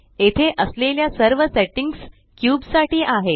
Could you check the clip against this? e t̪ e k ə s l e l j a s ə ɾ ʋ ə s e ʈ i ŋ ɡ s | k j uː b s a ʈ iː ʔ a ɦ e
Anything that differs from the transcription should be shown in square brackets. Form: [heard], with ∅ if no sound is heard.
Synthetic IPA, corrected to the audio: e [t̪ʰ] e [ʔ] ə s l e l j a s ə ɾ ʋ ə s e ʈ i ŋ ɡ s | k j uː b s a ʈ iː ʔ a ɦ e